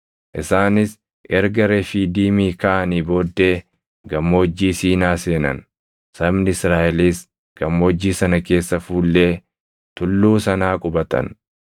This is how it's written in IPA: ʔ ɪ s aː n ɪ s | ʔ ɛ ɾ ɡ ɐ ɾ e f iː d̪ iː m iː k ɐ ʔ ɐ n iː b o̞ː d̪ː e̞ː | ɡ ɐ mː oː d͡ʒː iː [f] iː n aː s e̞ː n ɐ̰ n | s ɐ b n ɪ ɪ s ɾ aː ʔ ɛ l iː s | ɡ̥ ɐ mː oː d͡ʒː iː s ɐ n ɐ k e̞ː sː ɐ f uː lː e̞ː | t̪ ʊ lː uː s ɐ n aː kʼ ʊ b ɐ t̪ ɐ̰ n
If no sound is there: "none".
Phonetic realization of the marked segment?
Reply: s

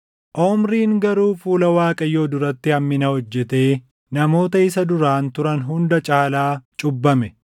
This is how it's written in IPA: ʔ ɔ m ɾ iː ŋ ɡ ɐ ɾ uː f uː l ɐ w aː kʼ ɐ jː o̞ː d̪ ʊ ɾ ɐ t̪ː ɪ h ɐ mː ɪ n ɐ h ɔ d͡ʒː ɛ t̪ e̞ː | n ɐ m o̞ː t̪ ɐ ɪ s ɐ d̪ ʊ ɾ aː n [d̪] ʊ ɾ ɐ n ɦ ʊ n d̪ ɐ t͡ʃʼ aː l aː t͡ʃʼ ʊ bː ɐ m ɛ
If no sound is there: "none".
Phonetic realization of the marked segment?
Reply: t̪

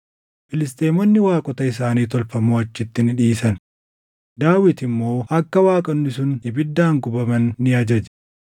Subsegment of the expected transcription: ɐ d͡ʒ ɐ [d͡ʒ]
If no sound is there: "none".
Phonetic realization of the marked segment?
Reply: d͡ʒ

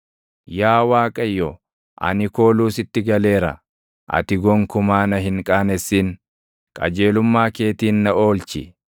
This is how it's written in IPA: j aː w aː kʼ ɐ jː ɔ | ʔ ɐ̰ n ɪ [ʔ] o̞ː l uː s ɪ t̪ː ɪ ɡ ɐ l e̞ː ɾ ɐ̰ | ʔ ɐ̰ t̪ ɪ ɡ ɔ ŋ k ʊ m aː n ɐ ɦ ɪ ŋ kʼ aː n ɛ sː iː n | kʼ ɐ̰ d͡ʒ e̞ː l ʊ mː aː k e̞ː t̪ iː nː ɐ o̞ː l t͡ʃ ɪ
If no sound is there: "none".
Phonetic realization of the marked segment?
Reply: k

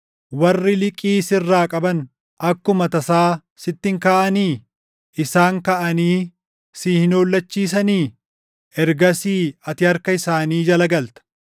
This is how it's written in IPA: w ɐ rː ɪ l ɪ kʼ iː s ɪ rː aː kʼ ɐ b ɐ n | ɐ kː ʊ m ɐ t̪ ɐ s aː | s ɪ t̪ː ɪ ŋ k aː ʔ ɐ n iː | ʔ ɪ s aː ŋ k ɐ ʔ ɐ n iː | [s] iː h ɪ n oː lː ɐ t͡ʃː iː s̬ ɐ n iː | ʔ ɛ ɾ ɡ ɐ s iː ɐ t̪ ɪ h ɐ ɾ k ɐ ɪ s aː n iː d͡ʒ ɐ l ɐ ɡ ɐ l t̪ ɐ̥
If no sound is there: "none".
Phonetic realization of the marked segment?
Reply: s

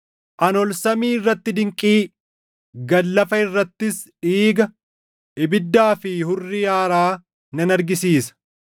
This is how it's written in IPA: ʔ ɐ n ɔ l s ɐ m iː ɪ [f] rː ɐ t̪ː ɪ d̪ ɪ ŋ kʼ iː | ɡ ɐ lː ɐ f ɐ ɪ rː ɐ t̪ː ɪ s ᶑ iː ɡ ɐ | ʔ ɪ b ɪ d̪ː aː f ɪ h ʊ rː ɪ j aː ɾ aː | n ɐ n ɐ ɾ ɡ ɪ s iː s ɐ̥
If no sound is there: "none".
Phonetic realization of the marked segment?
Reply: none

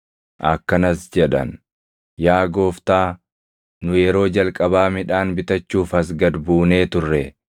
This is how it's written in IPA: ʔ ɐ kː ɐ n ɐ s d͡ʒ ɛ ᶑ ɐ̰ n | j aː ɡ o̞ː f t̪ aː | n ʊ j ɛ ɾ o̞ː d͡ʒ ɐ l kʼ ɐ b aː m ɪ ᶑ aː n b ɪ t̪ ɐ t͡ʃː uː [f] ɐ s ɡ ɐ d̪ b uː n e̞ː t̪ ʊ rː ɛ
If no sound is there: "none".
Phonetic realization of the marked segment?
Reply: f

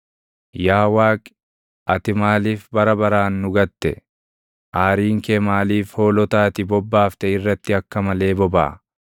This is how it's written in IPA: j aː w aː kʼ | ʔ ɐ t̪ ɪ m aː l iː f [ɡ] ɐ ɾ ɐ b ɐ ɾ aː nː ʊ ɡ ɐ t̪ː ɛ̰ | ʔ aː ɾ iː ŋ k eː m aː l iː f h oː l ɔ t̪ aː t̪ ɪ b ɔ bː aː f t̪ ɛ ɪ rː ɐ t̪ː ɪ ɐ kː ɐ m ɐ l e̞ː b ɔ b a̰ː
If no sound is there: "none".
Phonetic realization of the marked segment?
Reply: b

